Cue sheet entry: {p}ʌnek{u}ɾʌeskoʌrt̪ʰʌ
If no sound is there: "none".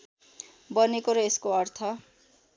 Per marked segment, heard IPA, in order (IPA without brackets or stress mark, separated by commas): b, o